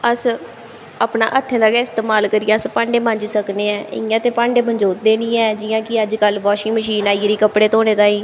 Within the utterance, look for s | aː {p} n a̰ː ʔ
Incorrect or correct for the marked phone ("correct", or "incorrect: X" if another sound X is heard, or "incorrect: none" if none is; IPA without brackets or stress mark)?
correct